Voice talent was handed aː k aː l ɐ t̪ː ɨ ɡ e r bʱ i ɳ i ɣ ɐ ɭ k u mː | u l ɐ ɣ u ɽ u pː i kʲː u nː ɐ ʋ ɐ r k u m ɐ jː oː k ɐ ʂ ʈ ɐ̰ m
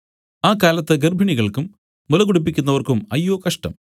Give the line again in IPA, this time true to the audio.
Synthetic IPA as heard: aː k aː l ɐ t̪ː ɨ ɡ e r bʱ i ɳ i ɣ ɐ ɭ k u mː | u l ɐ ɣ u ɽ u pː i kʲː u nː ɐ ʋ ɐ r k u m ɐ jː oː k ɐ ʂ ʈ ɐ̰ m